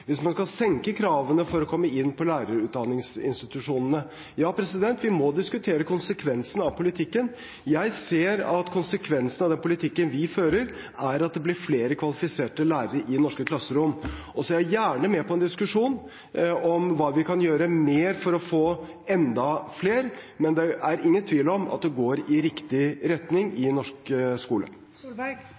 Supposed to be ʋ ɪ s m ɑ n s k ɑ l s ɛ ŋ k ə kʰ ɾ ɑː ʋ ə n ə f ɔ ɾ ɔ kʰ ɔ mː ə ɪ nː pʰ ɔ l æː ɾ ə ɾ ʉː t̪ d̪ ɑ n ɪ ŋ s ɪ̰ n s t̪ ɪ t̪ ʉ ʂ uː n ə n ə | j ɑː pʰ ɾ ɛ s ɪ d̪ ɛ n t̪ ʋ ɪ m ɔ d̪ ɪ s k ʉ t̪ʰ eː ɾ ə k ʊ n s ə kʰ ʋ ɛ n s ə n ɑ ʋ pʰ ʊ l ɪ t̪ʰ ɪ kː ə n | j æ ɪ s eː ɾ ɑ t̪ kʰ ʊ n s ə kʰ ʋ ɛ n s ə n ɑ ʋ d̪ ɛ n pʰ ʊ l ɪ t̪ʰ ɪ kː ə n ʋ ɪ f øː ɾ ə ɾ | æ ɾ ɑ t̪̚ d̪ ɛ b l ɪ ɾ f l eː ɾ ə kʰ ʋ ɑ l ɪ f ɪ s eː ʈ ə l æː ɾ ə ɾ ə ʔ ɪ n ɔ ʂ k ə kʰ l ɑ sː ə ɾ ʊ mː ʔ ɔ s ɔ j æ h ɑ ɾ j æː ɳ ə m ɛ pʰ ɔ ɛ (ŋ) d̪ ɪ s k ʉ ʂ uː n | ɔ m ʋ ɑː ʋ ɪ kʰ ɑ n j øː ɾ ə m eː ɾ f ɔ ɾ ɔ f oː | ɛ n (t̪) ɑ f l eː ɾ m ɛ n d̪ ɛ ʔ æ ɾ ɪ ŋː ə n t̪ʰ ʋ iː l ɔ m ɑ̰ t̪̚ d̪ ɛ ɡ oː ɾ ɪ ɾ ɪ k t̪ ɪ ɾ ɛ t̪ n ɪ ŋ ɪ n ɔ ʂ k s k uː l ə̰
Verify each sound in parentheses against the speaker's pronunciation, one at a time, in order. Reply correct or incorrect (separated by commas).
incorrect, incorrect